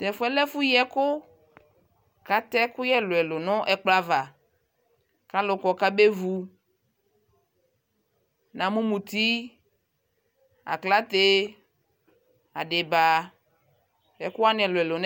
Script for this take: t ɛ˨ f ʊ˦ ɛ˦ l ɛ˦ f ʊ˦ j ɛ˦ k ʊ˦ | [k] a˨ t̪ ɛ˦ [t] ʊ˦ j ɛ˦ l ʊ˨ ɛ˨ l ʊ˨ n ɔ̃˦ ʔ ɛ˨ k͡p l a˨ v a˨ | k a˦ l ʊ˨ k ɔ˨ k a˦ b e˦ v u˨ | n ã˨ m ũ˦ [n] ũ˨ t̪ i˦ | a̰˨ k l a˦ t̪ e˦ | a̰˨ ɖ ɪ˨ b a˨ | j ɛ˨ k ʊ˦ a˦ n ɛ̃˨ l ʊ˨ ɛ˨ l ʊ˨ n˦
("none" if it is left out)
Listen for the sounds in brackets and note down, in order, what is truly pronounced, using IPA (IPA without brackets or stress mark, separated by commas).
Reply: k, k, m